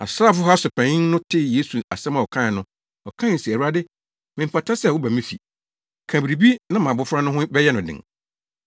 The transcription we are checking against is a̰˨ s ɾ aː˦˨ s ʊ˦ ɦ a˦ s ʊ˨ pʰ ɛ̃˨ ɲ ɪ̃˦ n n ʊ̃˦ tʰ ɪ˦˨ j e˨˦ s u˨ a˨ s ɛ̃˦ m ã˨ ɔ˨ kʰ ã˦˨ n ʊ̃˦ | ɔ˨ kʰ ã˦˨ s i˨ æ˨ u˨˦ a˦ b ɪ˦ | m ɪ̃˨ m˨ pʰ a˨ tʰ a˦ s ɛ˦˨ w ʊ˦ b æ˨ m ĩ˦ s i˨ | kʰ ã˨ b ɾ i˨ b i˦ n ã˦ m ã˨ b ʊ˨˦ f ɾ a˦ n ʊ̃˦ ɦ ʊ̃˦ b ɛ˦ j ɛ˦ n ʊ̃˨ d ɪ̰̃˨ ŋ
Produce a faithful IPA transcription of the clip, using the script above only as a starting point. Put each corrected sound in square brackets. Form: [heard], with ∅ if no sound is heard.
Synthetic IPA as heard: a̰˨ s ɾ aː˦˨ [f] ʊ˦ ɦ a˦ s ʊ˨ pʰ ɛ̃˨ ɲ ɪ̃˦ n n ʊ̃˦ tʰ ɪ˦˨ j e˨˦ s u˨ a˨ s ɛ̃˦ m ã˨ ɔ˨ kʰ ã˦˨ n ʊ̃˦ | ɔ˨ kʰ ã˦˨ s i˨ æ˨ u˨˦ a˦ [d] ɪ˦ | m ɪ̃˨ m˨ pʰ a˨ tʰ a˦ s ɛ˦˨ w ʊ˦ b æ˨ m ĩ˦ [f] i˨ | kʰ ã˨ b ɾ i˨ b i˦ n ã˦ m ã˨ b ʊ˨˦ f ɾ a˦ n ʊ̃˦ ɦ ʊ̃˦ b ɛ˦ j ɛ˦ n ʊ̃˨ d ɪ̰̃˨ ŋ